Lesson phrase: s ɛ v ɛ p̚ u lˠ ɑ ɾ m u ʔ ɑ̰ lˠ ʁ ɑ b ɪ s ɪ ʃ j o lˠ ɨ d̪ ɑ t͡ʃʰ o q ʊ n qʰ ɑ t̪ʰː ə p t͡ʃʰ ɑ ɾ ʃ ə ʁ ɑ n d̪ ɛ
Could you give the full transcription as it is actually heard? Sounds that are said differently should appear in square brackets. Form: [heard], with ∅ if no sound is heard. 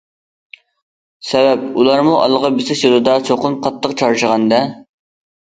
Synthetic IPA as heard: s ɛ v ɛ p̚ u lˠ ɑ ɾ m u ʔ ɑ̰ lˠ ʁ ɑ b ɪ s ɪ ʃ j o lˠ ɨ d̪ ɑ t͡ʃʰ o q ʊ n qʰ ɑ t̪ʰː ə [q] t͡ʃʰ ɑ ɾ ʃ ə ʁ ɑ n d̪ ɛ